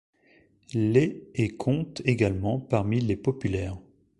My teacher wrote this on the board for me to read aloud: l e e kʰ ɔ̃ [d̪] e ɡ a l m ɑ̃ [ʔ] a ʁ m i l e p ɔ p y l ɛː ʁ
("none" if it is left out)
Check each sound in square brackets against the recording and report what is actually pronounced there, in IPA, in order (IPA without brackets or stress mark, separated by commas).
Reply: t̪, p